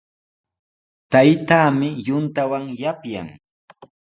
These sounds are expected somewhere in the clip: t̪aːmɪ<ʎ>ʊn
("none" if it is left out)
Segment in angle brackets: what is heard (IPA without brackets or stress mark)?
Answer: j